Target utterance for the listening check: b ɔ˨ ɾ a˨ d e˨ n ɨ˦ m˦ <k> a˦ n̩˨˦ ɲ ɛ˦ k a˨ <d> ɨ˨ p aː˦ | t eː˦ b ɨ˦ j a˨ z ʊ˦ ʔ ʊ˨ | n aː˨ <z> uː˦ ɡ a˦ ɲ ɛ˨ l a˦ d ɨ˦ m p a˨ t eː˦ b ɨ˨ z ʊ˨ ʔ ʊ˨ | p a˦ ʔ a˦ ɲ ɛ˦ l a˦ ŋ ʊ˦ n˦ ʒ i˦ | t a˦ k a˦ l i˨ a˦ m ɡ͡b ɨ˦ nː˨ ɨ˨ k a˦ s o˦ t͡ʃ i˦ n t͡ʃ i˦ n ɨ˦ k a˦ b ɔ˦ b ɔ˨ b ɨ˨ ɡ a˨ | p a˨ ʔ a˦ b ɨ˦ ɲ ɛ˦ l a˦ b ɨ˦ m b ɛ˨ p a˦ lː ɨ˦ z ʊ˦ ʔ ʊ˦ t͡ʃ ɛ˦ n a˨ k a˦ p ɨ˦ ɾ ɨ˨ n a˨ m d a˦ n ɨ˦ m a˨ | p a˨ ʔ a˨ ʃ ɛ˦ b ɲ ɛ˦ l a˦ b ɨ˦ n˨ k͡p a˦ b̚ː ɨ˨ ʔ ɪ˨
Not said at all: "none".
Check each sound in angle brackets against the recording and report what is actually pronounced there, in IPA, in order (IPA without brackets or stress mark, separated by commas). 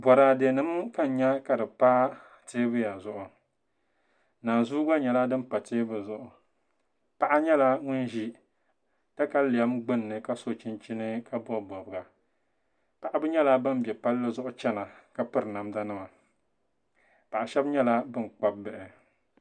k, d, z